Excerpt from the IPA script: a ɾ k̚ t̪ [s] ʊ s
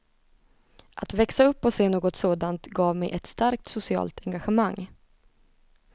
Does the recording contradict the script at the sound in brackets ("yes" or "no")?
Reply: no